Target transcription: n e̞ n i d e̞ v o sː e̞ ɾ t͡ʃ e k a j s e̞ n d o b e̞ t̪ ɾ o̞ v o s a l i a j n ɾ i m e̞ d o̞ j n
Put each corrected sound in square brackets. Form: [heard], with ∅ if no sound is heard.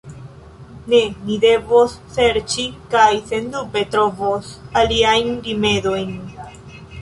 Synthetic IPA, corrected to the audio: n e̞ n i d e̞ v o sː e̞ ɾ t͡ʃ [i] k a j s e̞ n d [u] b e̞ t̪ ɾ o̞ v o s a l i a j n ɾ i m e̞ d o̞ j n

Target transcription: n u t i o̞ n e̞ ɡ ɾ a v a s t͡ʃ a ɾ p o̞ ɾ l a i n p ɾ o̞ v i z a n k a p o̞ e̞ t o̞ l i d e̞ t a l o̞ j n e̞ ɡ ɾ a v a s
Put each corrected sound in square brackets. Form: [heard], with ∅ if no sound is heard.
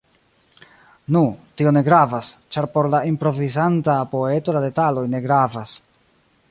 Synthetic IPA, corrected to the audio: n u t i o̞ n e̞ ɡ ɾ a v a s t͡ʃ a ɾ p o̞ ɾ l a i [m] p ɾ o̞ v i z a n [t] a p o̞ e̞ t o̞ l [a] d e̞ t a l o̞ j n e̞ ɡ ɾ a v a s

